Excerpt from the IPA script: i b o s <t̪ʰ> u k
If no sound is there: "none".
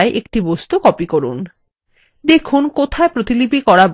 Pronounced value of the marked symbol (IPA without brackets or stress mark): t̪